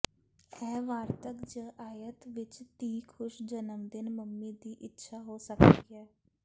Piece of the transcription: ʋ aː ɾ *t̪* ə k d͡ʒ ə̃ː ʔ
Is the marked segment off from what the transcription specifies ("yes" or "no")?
no